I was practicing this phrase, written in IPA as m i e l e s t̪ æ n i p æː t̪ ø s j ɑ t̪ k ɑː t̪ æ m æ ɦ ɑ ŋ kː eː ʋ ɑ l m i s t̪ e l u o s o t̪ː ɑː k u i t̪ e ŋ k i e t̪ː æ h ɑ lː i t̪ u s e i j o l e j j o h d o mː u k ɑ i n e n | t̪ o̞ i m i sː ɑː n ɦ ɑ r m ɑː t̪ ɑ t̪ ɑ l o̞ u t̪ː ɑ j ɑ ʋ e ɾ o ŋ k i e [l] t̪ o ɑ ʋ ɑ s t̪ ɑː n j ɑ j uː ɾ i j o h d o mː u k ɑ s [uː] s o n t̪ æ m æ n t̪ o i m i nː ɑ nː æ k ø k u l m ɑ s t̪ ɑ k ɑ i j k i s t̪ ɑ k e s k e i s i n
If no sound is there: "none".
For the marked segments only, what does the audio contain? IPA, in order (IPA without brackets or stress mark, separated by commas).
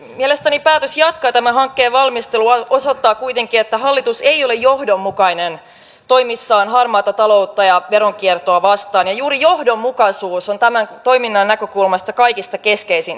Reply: r, uː